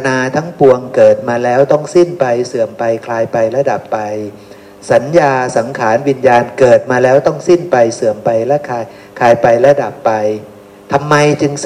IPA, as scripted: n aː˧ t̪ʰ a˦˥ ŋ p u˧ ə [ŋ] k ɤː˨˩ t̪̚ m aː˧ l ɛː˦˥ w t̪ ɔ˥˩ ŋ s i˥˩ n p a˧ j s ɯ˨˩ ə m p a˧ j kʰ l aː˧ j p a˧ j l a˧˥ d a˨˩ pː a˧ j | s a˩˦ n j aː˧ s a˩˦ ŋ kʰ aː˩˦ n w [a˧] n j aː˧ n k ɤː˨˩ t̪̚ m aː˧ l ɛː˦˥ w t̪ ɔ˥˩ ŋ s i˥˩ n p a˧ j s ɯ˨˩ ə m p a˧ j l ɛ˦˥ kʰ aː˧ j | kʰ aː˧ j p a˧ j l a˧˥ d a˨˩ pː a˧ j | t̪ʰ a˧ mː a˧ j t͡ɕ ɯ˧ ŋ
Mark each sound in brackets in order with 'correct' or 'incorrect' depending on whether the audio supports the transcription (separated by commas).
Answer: correct, incorrect